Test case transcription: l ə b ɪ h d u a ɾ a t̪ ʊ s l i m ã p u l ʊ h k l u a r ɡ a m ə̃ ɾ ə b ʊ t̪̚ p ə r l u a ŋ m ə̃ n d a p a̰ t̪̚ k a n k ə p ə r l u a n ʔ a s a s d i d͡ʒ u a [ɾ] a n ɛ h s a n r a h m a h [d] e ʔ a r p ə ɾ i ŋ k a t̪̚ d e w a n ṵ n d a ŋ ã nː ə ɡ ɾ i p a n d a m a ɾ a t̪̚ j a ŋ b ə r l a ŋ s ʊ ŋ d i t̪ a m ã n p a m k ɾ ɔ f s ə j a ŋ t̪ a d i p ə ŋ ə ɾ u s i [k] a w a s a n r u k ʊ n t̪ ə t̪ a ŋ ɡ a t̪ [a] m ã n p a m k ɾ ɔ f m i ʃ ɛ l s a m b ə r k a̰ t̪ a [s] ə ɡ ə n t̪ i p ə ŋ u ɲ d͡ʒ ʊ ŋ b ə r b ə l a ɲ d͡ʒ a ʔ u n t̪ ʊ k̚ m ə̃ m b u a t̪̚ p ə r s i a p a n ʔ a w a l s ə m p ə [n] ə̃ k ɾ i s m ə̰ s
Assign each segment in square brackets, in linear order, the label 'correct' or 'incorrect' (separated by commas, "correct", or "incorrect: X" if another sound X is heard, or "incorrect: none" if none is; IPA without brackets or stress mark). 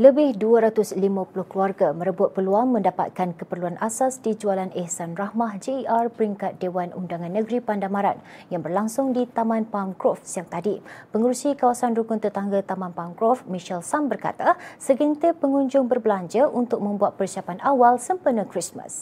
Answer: incorrect: l, incorrect: d͡ʒ, correct, correct, correct, correct